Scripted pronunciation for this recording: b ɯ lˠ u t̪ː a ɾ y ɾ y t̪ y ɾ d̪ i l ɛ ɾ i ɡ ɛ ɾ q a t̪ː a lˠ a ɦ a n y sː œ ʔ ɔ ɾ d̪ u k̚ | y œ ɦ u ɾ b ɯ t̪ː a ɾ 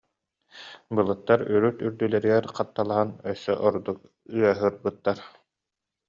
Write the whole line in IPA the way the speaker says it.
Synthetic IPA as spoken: b ɯ lˠ ɯ t̪ː a ɾ y ɾ y t̪ y ɾ d̪ y l ɛ ɾ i ɡ ɛ ɾ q a t̪ː a lˠ a ɦ a n œ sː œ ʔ ɔ ɾ d̪ u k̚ | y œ ɦ ɯ ɾ b ɯ t̪ː a ɾ